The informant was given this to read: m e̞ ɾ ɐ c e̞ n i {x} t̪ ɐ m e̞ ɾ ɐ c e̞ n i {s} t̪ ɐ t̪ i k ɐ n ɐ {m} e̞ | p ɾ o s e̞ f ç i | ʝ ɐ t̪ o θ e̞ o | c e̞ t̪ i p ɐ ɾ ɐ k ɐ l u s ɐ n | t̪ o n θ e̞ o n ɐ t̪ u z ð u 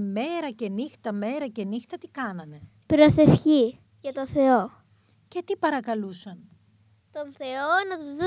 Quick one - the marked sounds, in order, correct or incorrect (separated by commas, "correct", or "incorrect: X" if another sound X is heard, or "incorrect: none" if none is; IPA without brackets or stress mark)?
correct, incorrect: x, incorrect: n